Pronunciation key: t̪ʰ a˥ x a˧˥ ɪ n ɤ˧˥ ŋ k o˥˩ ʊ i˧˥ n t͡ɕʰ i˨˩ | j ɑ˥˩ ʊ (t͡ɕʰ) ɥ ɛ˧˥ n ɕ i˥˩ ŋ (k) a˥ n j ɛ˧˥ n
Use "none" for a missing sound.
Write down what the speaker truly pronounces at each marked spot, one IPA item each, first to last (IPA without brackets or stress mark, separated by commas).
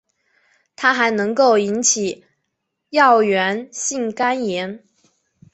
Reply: none, k